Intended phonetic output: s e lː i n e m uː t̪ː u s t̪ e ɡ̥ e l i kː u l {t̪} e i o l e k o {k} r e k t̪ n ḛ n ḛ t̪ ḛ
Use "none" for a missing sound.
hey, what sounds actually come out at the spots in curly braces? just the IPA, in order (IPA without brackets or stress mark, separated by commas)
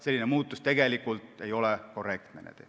t̪, none